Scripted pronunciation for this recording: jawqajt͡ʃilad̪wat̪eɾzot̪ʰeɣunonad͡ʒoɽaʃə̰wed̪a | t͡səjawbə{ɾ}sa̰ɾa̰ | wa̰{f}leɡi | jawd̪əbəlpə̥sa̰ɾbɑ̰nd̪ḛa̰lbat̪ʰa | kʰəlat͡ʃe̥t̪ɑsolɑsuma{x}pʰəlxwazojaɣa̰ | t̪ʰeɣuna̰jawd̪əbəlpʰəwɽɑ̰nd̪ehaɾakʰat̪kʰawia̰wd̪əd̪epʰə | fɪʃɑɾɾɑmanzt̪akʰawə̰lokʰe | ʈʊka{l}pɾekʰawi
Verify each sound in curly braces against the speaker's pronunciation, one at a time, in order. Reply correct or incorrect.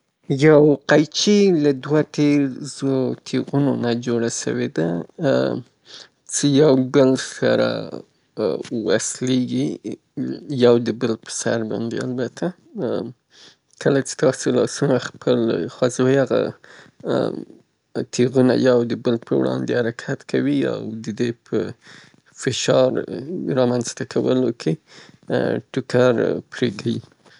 incorrect, incorrect, correct, incorrect

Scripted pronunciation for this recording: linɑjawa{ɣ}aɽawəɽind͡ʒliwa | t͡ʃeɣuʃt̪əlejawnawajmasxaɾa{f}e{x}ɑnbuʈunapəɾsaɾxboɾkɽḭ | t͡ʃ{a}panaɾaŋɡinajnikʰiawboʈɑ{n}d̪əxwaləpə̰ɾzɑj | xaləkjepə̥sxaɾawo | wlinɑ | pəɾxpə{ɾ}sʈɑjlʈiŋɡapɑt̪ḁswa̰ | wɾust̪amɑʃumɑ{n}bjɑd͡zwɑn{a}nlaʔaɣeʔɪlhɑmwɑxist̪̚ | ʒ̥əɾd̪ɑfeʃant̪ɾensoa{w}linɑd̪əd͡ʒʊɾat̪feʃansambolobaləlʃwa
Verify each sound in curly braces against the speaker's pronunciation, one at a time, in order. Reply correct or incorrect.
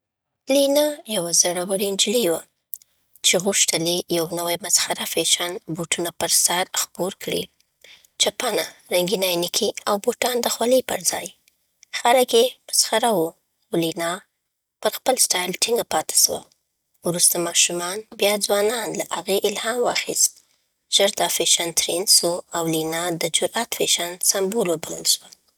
incorrect, correct, incorrect, correct, correct, incorrect, correct, incorrect, correct

